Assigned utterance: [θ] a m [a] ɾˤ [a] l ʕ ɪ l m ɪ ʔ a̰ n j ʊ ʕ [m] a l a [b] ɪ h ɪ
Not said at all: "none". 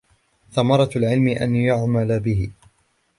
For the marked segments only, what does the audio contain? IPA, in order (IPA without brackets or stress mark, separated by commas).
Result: θ, ɑ, ɑ, m, b